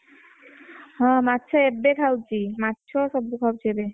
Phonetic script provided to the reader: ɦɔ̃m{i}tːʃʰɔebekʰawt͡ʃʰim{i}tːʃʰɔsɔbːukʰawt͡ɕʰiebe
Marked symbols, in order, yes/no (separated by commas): no, no